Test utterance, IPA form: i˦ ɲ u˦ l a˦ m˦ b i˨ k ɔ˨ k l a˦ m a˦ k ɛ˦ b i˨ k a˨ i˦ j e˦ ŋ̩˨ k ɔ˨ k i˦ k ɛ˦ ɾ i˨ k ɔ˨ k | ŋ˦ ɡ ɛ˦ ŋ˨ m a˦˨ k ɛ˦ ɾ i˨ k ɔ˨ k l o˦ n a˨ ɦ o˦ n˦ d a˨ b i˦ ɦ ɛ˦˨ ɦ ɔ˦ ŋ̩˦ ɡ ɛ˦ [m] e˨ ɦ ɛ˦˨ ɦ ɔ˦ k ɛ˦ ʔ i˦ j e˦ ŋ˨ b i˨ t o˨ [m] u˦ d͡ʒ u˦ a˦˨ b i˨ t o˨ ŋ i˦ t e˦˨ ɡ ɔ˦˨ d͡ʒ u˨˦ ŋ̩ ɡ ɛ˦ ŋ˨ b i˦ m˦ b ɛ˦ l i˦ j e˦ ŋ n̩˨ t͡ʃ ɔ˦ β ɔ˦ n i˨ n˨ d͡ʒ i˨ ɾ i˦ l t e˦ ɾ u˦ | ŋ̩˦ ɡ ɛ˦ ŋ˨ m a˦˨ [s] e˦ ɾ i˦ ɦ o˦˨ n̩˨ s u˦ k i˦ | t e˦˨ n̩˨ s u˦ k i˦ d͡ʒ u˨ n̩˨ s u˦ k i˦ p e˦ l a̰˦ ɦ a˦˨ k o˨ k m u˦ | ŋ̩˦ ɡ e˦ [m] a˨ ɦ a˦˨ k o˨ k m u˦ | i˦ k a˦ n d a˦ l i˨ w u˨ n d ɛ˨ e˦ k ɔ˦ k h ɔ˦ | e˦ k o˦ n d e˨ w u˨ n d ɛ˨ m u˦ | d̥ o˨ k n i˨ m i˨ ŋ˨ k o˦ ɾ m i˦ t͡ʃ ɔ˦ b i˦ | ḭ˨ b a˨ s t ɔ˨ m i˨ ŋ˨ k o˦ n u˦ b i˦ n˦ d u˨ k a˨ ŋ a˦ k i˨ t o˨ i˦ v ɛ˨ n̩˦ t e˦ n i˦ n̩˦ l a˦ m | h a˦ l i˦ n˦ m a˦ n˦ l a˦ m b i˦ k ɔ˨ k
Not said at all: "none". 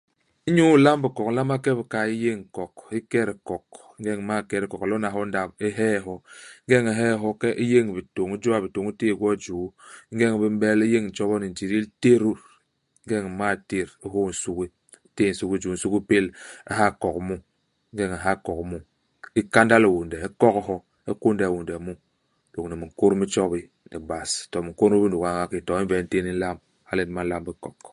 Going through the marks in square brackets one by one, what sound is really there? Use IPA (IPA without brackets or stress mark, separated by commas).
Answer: ŋ, ŋ, t, ŋ